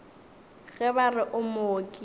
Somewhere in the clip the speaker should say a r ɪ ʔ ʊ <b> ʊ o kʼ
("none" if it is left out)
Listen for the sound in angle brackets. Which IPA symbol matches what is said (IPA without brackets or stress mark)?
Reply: m